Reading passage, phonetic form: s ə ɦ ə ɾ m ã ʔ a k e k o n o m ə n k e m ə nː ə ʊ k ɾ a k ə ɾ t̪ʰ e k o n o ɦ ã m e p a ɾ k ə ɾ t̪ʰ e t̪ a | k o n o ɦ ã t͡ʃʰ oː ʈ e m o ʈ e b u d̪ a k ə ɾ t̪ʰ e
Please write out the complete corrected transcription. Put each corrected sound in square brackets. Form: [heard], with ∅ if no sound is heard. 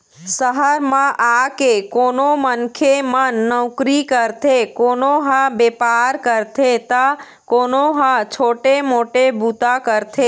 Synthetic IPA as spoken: s ə ɦ ə ɾ m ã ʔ a k e k o n o m ə n [kʰ] e m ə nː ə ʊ k ɾ [i] k ə ɾ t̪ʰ e k o n o ɦ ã [b] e p a ɾ k ə ɾ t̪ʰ e t̪ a | k o n o ɦ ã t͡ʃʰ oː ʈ e m o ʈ e b u [t̪] a k ə ɾ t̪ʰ e